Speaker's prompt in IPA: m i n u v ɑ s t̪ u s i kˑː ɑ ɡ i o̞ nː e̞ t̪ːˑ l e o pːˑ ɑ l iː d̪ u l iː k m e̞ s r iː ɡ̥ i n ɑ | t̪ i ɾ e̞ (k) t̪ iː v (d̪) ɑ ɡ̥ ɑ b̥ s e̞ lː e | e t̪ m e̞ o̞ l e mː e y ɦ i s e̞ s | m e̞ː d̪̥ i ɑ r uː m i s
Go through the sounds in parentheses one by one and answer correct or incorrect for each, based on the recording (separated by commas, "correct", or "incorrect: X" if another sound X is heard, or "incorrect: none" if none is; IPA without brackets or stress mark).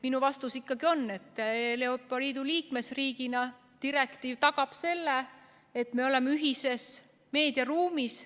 correct, incorrect: t̪